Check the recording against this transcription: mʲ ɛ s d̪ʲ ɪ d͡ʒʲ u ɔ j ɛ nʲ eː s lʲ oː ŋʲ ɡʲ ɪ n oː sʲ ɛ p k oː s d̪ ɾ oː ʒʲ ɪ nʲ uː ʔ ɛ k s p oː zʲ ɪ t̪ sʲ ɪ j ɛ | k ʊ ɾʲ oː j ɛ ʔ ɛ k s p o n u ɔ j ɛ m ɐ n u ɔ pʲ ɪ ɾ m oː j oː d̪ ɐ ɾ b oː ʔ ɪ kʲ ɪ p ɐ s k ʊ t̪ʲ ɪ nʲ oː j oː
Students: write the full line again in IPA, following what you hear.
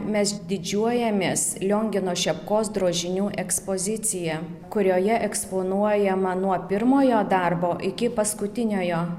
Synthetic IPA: mʲ ɛ s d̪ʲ ɪ d͡ʒʲ u ɔ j ɛ mʲ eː s lʲ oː ŋʲ ɡʲ ɪ n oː ʃʲ ɛ p k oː s d̪ ɾ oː ʒʲ ɪ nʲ uː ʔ ɛ k s p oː zʲ ɪ t̪ sʲ ɪ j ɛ | k ʊ ɾʲ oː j ɛ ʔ ɛ k s p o n u ɔ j ɛ m ɐ n u ɔ pʲ ɪ ɾ m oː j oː d̪ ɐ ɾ b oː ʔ ɪ kʲ ɪ p ɐ s k ʊ t̪ʲ ɪ nʲ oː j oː

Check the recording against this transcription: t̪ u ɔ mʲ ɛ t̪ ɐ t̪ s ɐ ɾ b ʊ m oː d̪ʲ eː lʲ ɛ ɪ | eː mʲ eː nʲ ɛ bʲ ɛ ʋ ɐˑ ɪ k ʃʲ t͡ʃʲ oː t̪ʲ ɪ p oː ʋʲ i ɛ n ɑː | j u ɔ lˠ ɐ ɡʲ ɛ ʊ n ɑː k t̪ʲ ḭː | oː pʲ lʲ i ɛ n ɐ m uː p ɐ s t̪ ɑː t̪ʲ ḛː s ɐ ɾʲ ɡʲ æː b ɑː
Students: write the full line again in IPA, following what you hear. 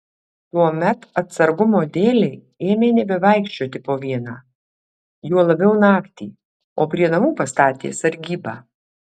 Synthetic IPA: t̪ u ɔ mʲ ɛ t̪ ɐ t̪ s ɐ ɾ ɡ ʊ m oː d̪ʲ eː lʲ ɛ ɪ | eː mʲ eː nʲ ɛ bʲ ɛ ʋ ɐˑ ɪ k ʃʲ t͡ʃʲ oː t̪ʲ ɪ p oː ʋʲ i ɛ n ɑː | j u ɔ lˠ ɐ bʲ ɛ ʊ n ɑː k t̪ʲ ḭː | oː pʲ ɾʲ i ɛ n ɐ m uː p ɐ s t̪ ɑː t̪ʲ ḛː s ɐ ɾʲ ɡʲ iː b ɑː

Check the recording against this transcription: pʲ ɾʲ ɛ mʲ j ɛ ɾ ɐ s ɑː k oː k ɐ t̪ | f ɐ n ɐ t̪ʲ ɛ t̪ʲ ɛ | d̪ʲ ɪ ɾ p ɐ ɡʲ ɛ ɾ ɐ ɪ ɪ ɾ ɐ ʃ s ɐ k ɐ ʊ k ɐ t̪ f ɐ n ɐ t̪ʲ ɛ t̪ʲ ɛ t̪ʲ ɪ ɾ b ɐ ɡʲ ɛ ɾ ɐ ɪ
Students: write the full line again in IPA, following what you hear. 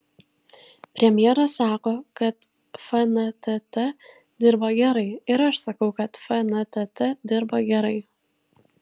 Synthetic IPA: pʲ ɾʲ ɛ mʲ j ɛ ɾ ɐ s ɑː k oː k ɐ t̪ | f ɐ n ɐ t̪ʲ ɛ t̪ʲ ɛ | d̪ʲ ɪ ɾ b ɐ ɡʲ ɛ ɾ ɐ ɪ ɪ ɾ ɐ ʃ s ɐ k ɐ ʊ k ɐ t̪ f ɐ n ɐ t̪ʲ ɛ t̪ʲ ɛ d̪ʲ ɪ ɾ b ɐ ɡʲ ɛ ɾ ɐ ɪ

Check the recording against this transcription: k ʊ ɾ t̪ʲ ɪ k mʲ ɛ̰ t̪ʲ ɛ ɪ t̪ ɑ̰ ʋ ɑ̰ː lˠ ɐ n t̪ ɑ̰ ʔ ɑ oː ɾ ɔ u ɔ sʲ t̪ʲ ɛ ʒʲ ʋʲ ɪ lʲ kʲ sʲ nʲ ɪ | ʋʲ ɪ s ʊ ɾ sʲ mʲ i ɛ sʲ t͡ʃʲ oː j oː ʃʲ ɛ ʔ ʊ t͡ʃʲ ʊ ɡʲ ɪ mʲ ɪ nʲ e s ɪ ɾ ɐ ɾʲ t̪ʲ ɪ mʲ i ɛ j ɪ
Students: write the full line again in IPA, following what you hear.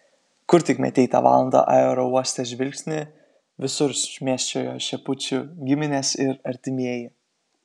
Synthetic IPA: k ʊ ɾ t̪ʲ ɪ k mʲ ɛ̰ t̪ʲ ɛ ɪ t̪ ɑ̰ ʋ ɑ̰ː lˠ ɐ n d̪ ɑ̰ ʔ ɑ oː ɾ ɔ u ɔ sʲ t̪ʲ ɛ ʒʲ ʋʲ ɪ lʲ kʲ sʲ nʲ ɪ | ʋʲ ɪ s ʊ ɾ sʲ mʲ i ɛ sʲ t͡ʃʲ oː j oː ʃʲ ɛ p ʊ t͡ʃʲ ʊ ɡʲ ɪ mʲ ɪ nʲ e s ɪ ɾ ɐ ɾʲ t̪ʲ ɪ mʲ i ɛ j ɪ

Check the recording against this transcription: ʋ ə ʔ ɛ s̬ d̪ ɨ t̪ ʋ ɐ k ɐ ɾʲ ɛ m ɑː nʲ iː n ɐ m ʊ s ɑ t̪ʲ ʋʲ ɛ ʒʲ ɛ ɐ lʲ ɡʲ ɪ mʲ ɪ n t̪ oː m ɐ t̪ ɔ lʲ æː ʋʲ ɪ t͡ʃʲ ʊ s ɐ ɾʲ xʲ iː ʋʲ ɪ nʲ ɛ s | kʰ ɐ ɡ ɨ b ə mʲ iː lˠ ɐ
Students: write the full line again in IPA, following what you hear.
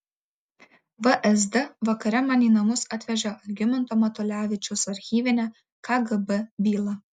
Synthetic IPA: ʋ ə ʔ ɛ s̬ d̪ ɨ ʋ ɐ k ɐ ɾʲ ɛ m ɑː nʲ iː n ɐ m ʊ s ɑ t̪ʲ ʋʲ ɛ ʒʲ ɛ ɐ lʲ ɡʲ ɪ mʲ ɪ n t̪ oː m ɐ t̪ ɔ lʲ æː ʋʲ ɪ t͡ʃʲ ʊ s ɐ ɾʲ xʲ iː ʋʲ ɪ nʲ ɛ | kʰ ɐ ɡ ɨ b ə bʲ iː lˠ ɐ

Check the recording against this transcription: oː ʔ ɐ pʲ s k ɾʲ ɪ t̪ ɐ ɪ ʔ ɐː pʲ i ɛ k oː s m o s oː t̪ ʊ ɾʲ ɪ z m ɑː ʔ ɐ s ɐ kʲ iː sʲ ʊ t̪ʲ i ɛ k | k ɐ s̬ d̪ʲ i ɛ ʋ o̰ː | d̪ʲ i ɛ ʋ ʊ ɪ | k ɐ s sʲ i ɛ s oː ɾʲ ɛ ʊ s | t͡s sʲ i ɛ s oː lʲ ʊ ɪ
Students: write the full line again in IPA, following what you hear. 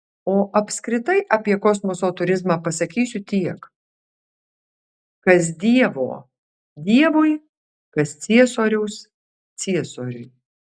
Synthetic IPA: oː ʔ ɐ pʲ s k ɾʲ ɪ t̪ ɐ ɪ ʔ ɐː pʲ i ɛ k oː s m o s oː t̪ ʊ ɾʲ ɪ z m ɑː p ɐ s ɐ kʲ iː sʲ ʊ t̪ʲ i ɛ k | k ɐ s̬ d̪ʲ i ɛ ʋ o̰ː | d̪ʲ i ɛ ʋ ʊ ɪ | k ɐ s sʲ i ɛ s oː ɾʲ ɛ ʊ s | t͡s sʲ i ɛ s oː ɾʲ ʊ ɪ

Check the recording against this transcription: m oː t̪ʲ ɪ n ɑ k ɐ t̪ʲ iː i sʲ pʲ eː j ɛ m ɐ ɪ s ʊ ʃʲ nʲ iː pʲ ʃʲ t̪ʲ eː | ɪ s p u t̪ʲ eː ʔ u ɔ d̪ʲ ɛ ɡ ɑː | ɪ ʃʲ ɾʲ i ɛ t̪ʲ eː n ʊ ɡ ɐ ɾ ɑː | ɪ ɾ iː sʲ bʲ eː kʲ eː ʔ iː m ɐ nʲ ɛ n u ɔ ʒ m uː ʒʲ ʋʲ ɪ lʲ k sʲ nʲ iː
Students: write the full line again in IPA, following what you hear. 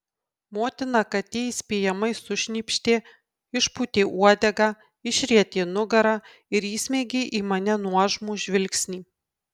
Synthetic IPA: m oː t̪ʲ ɪ n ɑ k ɐ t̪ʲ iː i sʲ pʲ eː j ɛ m ɐ ɪ s ʊ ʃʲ nʲ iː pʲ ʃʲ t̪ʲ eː | ɪ ʃ p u t̪ʲ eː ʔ u ɔ d̪ʲ ɛ ɡ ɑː | ɪ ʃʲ ɾʲ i ɛ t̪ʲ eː n ʊ ɡ ɐ ɾ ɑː | ɪ ɾ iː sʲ mʲ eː ɡʲ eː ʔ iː m ɐ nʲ ɛ n u ɔ ʒ m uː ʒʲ ʋʲ ɪ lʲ k sʲ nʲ iː

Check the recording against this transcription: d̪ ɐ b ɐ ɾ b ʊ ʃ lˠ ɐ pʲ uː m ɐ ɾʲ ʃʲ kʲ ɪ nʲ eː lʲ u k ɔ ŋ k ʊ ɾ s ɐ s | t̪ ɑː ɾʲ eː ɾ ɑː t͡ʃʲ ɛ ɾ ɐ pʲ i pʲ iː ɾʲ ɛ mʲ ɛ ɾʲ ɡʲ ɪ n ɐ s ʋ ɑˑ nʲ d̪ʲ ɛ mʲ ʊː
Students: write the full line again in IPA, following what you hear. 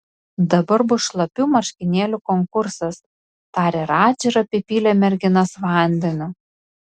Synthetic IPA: d̪ ɐ b ɐ ɾ b ʊ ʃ lˠ ɐ pʲ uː m ɐ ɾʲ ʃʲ kʲ ɪ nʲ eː lʲ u k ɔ ŋ k ʊ ɾ s ɐ s | t̪ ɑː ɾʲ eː ɾ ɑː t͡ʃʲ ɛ ɾ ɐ pʲ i pʲ iː lʲ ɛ mʲ ɛ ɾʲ ɡʲ ɪ n ɐ s ʋ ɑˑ nʲ d̪ʲ ɛ nʲ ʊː

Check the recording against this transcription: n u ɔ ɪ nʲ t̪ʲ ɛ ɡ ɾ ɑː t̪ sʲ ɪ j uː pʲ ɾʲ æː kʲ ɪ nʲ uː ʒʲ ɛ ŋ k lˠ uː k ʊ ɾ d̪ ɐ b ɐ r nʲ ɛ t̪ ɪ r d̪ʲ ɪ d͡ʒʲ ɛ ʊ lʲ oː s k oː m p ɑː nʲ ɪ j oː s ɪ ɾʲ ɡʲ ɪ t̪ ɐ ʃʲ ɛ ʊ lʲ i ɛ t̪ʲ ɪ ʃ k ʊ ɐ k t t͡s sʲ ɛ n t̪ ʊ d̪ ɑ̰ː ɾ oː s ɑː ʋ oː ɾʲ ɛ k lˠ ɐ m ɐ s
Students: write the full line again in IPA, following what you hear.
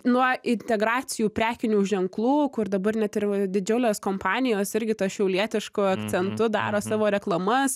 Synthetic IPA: n u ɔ ɪ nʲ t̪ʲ ɛ ɡ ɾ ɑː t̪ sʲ ɪ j uː pʲ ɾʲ æː kʲ ɪ nʲ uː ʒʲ ɛ ŋ k lˠ uː k ʊ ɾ d̪ ɐ b ɐ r nʲ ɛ t̪ ɪ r d̪ʲ ɪ d͡ʒʲ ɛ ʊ lʲ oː s k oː m p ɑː nʲ ɪ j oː s ɪ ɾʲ ɡʲ ɪ t̪ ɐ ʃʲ ɛ ʊ lʲ i ɛ t̪ʲ ɪ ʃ k ʊ ɐ k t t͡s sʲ ɛ n t̪ ʊ d̪ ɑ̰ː ɾ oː s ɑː ʋ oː ɾʲ ɛ k lˠ ɐ m ɐ s

